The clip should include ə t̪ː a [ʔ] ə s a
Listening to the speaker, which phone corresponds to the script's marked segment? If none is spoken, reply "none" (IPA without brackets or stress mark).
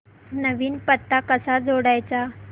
k